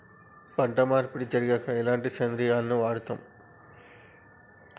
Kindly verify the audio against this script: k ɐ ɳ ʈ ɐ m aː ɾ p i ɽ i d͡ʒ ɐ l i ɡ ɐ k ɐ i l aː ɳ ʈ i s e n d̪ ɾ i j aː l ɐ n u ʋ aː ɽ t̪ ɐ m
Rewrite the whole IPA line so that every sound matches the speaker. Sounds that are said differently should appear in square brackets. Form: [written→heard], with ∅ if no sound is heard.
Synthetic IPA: [k→p] ɐ ɳ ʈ ɐ m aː ɾ p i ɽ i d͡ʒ ɐ [l→ɾ] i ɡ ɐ k ɐ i l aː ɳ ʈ i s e n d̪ ɾ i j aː l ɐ n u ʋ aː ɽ t̪ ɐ m